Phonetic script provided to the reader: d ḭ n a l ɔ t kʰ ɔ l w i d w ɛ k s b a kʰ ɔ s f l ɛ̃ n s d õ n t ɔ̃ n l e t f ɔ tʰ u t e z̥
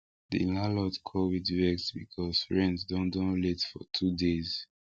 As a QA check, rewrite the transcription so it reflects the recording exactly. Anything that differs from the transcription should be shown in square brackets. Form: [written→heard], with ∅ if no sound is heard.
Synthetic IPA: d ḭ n a l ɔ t kʰ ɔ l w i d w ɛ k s b [a→i] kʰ ɔ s f [l→ɹ] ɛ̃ n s d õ n [t→d] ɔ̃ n l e t f ɔ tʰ u [t→d] e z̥

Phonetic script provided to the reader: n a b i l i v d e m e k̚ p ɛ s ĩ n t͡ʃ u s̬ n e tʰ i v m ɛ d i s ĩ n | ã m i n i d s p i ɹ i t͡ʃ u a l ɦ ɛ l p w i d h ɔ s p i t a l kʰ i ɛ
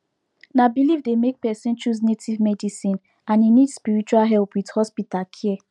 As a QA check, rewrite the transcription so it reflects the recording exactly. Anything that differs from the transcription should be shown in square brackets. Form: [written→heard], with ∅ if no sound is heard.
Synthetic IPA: n a b i l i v d e m e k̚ p ɛ s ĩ n t͡ʃ u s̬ n e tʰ i v m ɛ d i s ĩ n | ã [m→n] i n i d s p i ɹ i t͡ʃ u a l ɦ ɛ l p w i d h ɔ s p i t a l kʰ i ɛ

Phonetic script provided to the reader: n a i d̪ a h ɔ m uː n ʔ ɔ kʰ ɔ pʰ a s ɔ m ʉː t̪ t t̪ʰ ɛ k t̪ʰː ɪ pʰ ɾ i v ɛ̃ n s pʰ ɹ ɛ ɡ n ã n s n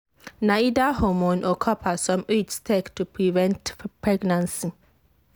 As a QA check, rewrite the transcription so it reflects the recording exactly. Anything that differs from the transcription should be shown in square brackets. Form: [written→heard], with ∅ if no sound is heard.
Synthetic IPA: n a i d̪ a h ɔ m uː n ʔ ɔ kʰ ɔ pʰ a s ɔ m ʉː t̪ [t→s] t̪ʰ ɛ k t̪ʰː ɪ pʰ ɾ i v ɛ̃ n [s→t] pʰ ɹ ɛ ɡ n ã n s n

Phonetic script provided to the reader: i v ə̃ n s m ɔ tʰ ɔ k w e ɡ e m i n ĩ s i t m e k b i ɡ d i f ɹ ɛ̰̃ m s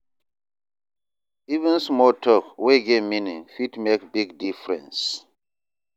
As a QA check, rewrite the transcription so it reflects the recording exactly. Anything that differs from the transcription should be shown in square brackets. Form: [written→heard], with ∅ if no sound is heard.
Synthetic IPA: i v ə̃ n s m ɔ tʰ ɔ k w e ɡ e m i n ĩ [s→f] i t m e k b i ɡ d i f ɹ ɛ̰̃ [m→n] s

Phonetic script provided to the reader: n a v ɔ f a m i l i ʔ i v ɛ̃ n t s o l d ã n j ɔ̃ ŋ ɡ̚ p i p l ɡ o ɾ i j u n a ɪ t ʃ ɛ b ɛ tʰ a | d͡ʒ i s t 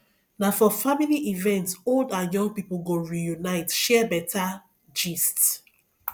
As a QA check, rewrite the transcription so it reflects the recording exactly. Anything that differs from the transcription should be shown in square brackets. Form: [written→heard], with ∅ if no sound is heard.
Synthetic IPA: n a [v→f] ɔ f a m i l i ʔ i v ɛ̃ n t s o l d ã n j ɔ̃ ŋ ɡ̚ p i p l ɡ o [ɾ→ɹ] i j u n a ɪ t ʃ ɛ b ɛ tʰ a | d͡ʒ i s t

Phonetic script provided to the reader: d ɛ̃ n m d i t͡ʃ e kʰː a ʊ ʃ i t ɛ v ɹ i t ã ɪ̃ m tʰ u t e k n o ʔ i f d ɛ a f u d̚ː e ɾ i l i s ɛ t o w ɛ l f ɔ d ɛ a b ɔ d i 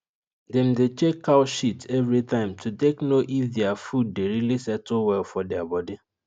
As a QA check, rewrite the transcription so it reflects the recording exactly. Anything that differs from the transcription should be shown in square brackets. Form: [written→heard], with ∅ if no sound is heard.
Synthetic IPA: d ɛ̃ [n→∅] m d [i→e] t͡ʃ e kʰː a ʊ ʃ i t ɛ v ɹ i t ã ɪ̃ m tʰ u t e k n o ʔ i f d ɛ a f u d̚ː e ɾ i l i s ɛ t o w ɛ l f ɔ d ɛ a b ɔ d i

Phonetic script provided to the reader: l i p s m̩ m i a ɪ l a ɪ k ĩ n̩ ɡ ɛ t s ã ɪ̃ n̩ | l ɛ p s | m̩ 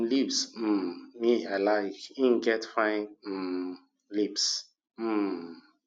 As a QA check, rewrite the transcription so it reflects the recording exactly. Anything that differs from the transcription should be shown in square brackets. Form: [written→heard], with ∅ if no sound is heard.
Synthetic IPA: l i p s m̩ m i a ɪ l a ɪ k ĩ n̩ ɡ ɛ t [s→f] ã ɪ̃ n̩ | l [ɛ→i] p s | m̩

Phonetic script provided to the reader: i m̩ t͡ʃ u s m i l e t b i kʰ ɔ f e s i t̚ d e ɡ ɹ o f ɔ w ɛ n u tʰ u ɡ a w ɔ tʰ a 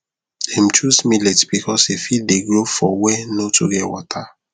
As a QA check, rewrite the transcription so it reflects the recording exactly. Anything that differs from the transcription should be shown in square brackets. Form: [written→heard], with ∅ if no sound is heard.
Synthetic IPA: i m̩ t͡ʃ u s m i l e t b i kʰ ɔ [f→s] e [s→f] i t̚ d e ɡ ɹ o f ɔ w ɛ n [u→o] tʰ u ɡ [a→ɛ] w ɔ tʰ a

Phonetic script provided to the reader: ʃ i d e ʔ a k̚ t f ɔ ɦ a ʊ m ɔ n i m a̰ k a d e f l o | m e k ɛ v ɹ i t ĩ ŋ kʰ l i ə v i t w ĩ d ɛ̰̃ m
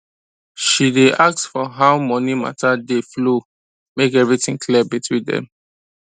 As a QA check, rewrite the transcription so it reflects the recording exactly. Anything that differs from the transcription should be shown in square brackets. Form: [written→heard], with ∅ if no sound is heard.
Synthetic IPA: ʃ i d e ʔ a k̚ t f ɔ ɦ a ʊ m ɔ n i m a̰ [k→t] a d e f l o | m e k ɛ v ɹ i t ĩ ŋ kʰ l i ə [v→b] i t w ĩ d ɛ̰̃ m

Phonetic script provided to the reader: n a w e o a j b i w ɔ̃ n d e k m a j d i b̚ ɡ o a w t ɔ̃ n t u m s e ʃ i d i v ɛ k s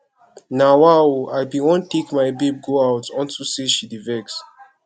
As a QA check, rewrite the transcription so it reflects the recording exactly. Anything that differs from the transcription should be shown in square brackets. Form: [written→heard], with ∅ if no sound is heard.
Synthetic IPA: n a w [e→a] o a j b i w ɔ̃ n [d→t] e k m a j [d→b] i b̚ ɡ o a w t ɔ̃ n t u [m→∅] s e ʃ i d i v ɛ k s

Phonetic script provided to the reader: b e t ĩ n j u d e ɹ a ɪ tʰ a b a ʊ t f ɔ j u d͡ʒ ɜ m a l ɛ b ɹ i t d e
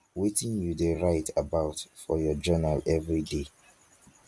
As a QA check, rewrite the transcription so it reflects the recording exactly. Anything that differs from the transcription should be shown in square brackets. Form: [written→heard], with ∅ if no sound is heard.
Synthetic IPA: [b→w] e t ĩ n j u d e ɹ a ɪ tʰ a b a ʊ t f ɔ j [u→ɔ] d͡ʒ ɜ [m→n] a l ɛ [b→v] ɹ i [t→∅] d e

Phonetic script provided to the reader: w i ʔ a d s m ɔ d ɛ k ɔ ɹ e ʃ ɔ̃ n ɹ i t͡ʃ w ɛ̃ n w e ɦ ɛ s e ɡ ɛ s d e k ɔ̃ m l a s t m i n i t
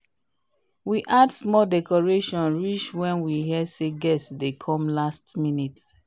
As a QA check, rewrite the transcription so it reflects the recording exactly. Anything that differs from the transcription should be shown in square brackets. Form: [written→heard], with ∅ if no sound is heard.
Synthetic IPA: w i ʔ a d s m ɔ d ɛ k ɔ ɹ e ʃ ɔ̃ n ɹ i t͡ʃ w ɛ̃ n w [e→i] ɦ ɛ s e ɡ ɛ s d e [k→kʰ] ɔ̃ m l a s t m i n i t

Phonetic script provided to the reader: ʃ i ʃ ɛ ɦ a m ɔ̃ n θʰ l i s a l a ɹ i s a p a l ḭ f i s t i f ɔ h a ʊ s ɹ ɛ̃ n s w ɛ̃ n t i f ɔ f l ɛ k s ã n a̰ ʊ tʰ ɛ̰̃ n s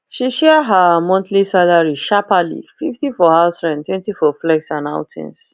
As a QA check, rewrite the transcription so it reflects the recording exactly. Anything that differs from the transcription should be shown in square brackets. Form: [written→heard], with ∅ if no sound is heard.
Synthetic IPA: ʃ i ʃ ɛ ɦ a m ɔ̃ n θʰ l i s a l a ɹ i [s→ʃ] a p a l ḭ f i [s→f] t i f ɔ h a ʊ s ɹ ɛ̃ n [s→t] w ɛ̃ n t i f ɔ f l ɛ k s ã n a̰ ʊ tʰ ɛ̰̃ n s

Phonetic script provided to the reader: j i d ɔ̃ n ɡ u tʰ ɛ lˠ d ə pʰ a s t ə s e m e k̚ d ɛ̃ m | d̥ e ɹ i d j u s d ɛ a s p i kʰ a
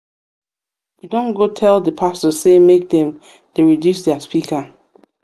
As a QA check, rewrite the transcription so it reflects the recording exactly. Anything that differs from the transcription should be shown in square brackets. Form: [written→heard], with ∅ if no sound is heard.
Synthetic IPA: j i d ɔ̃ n ɡ [u→o] tʰ ɛ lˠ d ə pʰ a s t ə s e m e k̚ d ɛ̃ m | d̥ e ɹ i d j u s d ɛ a s p i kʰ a

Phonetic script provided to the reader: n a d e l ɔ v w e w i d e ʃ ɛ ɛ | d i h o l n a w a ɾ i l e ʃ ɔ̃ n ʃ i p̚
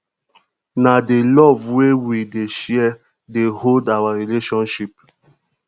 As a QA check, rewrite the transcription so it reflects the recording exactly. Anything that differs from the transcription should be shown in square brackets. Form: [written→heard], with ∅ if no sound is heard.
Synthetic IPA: n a d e l ɔ v w e w i d e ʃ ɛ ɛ | d [i→e] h o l [n→d] a w a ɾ i l e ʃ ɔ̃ n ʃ i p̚

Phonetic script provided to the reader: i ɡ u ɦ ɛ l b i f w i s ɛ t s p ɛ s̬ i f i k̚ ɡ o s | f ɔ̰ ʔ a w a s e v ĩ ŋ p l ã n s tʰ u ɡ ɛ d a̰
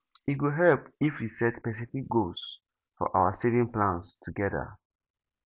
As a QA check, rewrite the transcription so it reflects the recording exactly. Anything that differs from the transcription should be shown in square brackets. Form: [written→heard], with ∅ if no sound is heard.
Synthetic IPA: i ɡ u ɦ ɛ l [b→p] i f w i s ɛ t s p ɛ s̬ i f i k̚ ɡ o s | f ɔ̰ ʔ a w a s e v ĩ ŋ p l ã n s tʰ u ɡ ɛ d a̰

